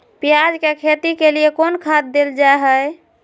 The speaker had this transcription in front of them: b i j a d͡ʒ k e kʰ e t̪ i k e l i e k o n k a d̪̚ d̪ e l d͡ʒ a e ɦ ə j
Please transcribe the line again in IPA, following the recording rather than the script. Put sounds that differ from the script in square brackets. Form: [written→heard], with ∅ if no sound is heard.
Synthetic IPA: [b→p] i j a d͡ʒ k e kʰ e t̪ i k e l i e k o n [k→kʰ] a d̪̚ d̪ e l d͡ʒ a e ɦ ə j